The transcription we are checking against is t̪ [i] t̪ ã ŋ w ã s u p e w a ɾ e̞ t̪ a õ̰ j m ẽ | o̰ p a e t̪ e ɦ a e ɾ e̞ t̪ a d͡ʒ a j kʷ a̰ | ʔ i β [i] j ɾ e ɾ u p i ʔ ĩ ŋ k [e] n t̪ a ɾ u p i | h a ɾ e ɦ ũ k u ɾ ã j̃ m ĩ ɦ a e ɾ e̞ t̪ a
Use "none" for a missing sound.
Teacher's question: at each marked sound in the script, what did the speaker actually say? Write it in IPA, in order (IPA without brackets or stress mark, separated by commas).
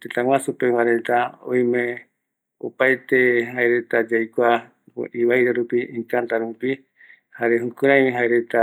e, a, a